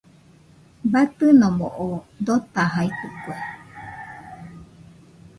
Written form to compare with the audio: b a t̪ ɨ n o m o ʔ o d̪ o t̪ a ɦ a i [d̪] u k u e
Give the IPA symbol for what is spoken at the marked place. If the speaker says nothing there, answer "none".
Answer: t̪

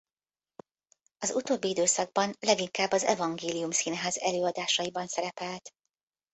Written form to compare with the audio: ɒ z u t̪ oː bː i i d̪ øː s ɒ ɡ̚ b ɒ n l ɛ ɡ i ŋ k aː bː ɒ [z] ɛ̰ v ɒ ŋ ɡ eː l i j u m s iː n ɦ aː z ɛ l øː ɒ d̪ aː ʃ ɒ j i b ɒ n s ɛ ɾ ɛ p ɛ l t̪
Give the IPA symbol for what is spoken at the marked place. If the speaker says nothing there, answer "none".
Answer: z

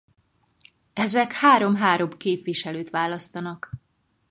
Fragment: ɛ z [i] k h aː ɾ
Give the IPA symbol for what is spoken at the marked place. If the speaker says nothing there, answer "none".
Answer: ɛ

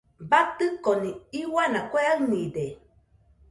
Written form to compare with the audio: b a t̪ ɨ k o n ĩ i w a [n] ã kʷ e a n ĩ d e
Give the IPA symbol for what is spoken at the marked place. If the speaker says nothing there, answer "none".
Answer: n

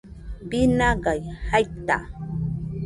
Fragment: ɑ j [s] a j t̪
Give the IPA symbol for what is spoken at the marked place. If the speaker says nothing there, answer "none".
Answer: h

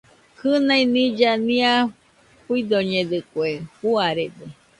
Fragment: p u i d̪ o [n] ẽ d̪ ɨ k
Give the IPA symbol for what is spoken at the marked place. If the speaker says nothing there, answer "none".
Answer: ɲ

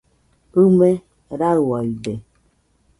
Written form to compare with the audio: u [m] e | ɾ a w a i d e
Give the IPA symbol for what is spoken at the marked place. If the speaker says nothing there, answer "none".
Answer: m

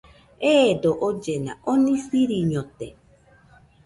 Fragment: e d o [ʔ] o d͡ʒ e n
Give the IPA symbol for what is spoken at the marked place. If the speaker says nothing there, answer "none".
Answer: ʔ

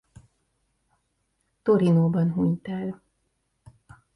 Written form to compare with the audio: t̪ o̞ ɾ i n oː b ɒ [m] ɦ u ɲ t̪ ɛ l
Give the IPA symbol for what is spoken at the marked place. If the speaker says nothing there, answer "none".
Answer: n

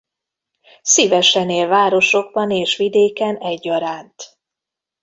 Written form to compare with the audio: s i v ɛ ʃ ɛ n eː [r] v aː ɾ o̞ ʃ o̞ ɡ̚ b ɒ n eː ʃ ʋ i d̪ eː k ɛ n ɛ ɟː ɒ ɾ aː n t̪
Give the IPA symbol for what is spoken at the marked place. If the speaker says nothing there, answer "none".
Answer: l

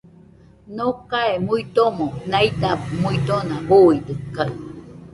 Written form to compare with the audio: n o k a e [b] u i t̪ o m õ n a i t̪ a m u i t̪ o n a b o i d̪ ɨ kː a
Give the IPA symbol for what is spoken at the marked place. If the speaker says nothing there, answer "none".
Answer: m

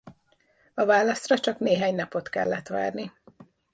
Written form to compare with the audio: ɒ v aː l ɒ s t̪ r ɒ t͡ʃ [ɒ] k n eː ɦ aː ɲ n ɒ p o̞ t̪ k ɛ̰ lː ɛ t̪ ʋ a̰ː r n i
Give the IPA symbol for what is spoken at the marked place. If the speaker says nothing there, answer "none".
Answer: ɒ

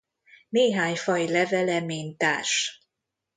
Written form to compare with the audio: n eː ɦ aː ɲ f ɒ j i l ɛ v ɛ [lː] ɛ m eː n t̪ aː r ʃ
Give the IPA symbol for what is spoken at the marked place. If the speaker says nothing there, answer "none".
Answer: l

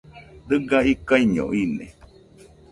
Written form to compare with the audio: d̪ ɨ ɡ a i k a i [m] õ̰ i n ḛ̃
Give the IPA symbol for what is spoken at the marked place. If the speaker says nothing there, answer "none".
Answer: ɲ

